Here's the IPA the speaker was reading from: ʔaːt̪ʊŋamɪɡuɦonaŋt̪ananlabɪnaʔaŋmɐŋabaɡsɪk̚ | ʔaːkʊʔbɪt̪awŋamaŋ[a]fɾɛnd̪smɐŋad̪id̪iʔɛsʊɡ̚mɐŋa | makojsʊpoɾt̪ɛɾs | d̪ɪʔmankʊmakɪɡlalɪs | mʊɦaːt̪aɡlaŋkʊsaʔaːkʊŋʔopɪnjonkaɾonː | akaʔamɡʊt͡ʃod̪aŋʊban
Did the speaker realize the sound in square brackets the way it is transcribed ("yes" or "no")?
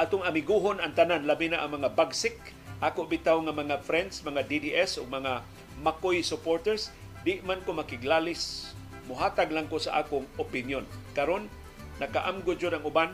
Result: yes